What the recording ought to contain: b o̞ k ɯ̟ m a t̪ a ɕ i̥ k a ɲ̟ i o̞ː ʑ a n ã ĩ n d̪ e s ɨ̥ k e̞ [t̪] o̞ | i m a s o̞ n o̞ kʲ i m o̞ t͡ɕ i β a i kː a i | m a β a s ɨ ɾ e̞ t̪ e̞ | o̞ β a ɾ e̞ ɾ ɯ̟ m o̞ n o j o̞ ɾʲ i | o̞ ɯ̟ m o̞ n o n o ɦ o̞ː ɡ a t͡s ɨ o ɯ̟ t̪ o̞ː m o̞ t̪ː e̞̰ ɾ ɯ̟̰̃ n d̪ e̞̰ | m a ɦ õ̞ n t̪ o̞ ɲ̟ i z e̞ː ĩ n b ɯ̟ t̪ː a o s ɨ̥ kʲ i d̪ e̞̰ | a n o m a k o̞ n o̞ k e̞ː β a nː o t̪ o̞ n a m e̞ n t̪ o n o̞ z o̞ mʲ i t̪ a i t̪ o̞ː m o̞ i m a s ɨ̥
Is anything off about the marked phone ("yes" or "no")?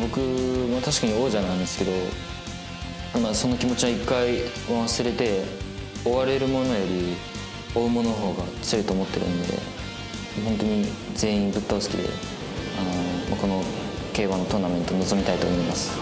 yes